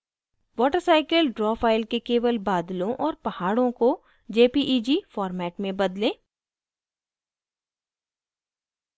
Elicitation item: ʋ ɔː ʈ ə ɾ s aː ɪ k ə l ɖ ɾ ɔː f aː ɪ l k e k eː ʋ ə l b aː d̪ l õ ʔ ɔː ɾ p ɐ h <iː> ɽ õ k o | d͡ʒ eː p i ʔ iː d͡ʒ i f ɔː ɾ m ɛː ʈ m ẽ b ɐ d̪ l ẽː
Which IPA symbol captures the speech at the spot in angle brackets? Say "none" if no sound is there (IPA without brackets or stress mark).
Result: aː